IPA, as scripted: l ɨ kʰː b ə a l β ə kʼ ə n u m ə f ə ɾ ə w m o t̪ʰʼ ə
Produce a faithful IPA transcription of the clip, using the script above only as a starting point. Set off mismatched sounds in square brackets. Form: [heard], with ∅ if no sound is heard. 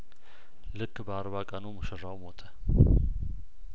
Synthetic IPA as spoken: l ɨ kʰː b ə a [ɾ] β [a] kʼ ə n u m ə [ʃ] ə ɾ [a] w m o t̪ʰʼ ə

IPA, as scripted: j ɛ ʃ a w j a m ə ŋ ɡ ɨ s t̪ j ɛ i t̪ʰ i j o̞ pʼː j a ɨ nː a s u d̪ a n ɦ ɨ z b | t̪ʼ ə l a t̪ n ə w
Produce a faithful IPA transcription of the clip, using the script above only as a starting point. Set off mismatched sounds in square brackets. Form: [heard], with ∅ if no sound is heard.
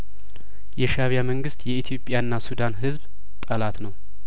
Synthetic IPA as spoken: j ɛ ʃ a [β] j a m ə ŋ ɡ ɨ s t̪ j ɛ i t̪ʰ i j o̞ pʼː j a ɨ nː a s u d̪ a n ɦ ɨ z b | t̪ʼ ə l a t̪ n ə w

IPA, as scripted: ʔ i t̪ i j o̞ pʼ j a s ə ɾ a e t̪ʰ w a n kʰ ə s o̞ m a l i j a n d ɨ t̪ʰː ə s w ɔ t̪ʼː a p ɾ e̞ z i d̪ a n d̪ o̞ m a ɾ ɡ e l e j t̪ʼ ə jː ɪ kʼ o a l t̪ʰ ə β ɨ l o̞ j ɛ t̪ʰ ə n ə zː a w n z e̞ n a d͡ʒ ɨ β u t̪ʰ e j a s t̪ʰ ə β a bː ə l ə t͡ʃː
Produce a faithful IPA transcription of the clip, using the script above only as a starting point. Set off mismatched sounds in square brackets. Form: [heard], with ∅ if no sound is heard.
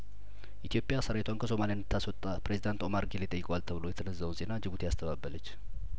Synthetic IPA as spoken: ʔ i t̪ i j o̞ pʼ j a s ə ɾ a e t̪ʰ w a n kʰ ə s o̞ m a l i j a n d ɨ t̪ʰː [a] s w ɔ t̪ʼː a p ɾ e̞ z i d̪ a n [t̪] o̞ m a ɾ ɡ e l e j t̪ʼ ə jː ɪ kʼ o a l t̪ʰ ə β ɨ l o̞ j ɛ t̪ʰ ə n ə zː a w n z e̞ n a d͡ʒ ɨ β u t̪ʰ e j a s t̪ʰ ə β a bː ə l ə t͡ʃː

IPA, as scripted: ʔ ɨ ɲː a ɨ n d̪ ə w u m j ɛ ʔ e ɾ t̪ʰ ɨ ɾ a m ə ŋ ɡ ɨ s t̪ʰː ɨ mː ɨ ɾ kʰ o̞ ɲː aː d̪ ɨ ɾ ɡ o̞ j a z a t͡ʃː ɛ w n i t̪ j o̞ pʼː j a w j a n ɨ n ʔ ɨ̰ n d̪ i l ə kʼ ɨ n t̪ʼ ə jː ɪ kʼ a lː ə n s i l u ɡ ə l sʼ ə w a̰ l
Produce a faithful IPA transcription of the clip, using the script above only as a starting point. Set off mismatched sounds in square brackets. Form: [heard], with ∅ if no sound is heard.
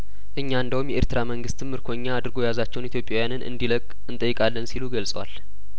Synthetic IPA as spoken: ʔ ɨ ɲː a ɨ n d̪ ə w u m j ɛ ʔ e ɾ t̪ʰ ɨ ɾ a m ə ŋ ɡ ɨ s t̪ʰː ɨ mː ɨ ɾ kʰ o̞ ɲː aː d̪ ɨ ɾ ɡ o̞ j a z a t͡ʃː ɛ w n i t̪ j o̞ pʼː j a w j a n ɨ n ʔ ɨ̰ n d̪ i l ə kʼ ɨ n t̪ʼ ə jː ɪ kʼ a lː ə n s i l u ɡ ə l sʼ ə w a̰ l

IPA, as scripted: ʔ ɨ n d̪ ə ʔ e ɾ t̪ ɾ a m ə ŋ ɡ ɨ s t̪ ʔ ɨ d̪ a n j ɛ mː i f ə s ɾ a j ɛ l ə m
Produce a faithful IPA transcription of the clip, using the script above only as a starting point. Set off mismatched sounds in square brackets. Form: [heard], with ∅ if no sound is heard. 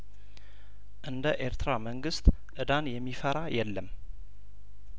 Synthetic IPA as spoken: ʔ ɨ n d̪ ə ʔ e ɾ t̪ ɾ a m ə ŋ ɡ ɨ s t̪ ʔ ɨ d̪ a n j ɛ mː i f ə [∅] ɾ a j ɛ [lː] ə m

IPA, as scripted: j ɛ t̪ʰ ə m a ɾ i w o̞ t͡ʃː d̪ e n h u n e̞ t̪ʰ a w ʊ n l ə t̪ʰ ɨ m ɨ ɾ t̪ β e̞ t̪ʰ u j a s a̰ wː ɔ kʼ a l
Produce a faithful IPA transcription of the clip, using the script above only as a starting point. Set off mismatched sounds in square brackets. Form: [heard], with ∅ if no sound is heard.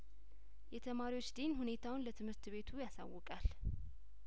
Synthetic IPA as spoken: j ɛ t̪ʰ ə m a ɾ i w o̞ t͡ʃː d̪ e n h u n e̞ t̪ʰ a w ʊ n l ə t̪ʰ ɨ m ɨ ɾ t̪ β e̞ t̪ʰ u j a s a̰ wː ɔ kʼ a l

